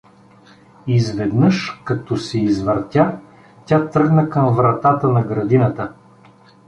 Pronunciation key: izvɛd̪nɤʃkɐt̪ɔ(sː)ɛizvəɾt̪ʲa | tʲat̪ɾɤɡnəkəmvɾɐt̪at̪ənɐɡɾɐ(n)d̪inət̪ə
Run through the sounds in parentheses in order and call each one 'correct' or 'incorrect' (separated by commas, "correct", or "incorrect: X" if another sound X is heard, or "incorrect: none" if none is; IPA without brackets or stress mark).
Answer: incorrect: s, incorrect: none